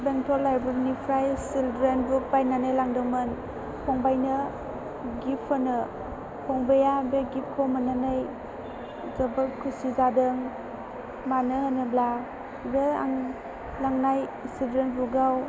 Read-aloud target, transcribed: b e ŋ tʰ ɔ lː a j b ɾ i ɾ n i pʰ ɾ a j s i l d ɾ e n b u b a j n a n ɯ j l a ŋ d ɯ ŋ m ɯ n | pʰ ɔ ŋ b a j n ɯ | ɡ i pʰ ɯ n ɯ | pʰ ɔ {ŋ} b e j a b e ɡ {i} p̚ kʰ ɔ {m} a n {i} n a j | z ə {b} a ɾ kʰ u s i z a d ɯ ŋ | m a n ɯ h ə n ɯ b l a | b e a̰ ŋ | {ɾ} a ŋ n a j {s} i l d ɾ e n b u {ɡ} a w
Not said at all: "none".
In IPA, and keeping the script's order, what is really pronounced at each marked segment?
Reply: ŋ, i, m, a, b, l, s, ɡ

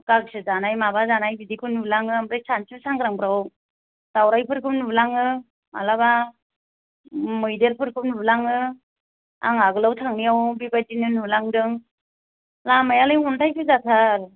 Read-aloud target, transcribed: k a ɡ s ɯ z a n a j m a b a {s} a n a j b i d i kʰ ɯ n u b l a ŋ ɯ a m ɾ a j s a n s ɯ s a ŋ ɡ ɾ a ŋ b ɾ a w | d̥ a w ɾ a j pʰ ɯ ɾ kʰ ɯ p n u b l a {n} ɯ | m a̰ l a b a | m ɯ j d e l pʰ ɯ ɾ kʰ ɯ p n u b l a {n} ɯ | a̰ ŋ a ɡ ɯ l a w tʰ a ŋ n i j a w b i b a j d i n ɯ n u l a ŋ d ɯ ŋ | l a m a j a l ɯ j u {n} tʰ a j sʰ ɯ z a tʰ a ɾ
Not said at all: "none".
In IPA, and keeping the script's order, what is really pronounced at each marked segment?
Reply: z, ŋ, ŋ, n

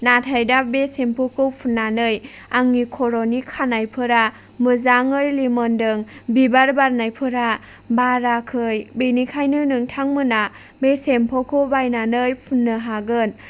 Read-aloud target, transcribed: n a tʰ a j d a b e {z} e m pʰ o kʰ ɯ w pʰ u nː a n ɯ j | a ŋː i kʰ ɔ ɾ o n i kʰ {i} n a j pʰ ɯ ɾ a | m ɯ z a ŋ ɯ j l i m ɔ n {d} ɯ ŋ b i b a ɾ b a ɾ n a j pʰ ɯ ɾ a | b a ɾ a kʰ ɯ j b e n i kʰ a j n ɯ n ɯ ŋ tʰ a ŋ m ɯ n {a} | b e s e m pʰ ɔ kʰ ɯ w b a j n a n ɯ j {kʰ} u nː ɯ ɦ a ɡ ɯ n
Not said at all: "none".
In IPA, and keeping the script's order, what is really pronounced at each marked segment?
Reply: s, a, d, a, pʰ

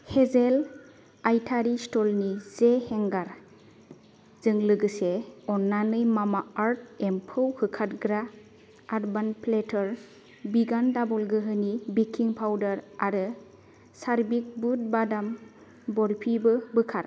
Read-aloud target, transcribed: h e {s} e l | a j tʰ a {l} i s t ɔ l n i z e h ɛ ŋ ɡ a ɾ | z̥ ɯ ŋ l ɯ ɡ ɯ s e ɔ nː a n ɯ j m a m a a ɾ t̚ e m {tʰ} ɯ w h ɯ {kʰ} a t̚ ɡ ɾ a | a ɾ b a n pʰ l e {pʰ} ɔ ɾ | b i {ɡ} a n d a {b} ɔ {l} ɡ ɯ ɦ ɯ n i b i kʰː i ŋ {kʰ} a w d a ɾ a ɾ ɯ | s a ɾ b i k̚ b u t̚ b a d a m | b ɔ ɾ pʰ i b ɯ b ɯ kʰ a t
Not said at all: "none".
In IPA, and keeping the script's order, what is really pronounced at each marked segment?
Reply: z, ɾ, pʰ, kʰ, tʰ, ɡ, b, l, pʰ

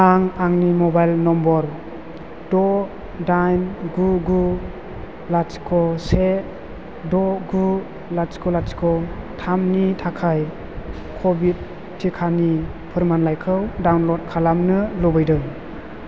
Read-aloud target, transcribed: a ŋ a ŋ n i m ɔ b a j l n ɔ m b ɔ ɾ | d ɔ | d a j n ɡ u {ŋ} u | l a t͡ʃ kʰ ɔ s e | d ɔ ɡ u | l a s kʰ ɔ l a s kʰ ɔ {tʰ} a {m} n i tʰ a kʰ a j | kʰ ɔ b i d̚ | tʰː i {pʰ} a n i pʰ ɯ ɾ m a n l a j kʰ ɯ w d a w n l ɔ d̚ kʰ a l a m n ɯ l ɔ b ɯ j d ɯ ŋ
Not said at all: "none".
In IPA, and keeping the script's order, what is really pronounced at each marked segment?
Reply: ɡ, tʰ, m, kʰ

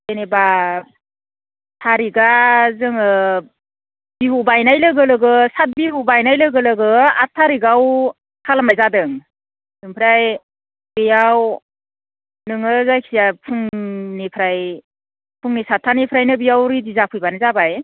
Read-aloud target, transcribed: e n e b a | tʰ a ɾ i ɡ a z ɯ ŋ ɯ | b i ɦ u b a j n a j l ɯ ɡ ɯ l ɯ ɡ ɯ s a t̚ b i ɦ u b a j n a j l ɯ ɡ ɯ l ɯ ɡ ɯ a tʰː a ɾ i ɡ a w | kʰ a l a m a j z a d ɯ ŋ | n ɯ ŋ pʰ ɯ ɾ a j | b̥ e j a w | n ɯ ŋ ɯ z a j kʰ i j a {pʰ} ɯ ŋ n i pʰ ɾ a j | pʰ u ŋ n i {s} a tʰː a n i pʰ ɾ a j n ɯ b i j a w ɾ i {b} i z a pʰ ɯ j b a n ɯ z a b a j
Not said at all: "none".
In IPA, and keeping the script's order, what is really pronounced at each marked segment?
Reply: pʰ, s, d

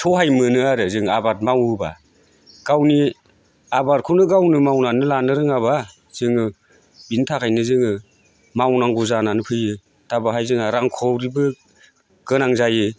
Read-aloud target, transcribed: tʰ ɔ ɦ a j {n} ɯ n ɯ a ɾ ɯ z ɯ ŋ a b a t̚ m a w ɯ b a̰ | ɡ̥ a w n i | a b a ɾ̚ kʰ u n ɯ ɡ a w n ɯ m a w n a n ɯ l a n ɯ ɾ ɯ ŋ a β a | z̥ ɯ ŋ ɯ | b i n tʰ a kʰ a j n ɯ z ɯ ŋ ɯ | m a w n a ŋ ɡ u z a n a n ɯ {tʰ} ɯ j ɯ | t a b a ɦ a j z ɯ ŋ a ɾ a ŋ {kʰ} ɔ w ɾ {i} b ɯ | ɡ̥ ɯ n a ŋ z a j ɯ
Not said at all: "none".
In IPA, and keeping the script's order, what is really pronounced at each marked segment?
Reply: m, pʰ, kʰ, i

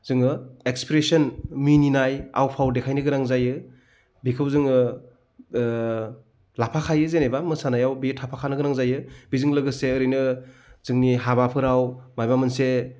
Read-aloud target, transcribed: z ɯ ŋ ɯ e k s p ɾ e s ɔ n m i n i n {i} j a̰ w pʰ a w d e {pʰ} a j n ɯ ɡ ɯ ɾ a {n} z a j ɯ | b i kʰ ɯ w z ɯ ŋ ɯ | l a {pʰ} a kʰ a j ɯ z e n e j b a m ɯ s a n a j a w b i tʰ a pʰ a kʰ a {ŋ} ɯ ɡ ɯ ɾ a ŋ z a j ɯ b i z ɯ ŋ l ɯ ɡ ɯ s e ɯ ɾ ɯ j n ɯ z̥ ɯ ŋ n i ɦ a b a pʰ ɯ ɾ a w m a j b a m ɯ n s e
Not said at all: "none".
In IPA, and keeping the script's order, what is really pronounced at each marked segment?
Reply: a, kʰ, ŋ, pʰ, n

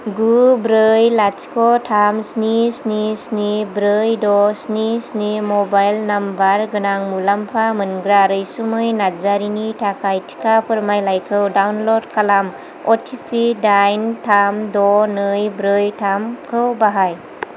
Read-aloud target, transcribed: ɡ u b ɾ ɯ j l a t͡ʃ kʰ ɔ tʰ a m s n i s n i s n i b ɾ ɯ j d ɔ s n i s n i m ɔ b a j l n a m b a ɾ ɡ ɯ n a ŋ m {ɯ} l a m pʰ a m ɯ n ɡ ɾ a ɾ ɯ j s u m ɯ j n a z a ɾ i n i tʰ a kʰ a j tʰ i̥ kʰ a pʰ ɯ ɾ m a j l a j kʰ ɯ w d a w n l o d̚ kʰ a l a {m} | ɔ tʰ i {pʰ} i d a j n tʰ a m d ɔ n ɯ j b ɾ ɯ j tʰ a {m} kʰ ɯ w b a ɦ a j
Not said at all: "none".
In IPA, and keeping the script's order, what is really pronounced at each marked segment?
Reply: u, m, pʰ, m

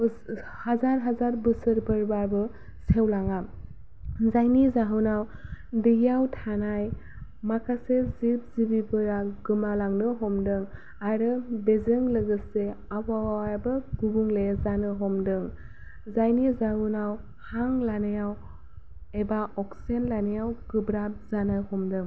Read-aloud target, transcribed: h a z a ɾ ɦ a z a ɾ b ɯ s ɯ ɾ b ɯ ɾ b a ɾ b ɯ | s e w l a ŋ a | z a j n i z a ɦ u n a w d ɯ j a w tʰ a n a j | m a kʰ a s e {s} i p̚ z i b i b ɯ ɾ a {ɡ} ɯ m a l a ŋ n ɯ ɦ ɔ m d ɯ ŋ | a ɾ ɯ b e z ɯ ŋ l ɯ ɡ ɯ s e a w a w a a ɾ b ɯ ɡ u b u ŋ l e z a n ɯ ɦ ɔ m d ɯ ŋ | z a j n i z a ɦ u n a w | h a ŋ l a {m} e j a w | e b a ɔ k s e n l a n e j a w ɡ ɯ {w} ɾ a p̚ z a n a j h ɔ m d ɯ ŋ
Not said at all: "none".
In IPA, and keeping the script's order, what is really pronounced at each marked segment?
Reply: z, ɡ, n, b

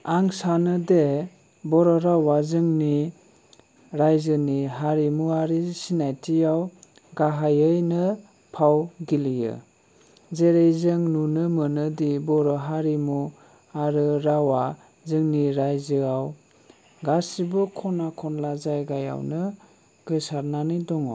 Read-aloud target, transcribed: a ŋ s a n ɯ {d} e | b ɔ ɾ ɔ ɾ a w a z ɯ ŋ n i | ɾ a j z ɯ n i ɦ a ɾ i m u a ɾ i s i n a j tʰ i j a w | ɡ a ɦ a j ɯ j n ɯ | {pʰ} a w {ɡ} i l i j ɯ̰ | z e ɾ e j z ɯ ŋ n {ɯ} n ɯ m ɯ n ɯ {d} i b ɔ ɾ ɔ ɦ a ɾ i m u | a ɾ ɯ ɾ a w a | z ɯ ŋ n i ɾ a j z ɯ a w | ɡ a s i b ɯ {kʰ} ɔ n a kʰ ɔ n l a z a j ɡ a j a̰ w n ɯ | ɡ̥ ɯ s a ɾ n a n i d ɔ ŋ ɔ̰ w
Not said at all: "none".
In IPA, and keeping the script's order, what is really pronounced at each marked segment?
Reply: d, pʰ, ɡ, u, d, kʰ

